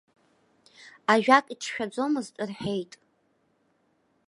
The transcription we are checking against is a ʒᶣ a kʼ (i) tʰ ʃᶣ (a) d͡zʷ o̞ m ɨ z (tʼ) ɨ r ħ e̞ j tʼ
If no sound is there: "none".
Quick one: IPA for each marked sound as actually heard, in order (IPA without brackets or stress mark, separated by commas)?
i, a, tʼ